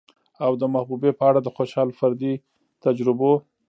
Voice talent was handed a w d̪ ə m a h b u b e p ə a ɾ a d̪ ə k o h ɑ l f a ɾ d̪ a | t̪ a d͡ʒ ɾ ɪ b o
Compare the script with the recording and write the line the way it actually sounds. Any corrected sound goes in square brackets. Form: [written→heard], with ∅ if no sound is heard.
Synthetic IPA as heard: a w d̪ ə m a h b u b e p ə a [ɾ→ɽ] a d̪ ə [k→x] o [h→ʃ] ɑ l f a ɾ d̪ [a→i] | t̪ a d͡ʒ ɾ ɪ b o